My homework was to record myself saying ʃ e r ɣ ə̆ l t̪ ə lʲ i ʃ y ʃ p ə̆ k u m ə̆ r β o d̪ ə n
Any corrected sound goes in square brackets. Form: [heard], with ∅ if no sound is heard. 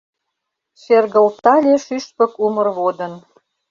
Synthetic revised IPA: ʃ e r ɣ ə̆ l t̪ [ɑ] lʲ [e] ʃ y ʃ p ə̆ k u m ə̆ r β o d̪ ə n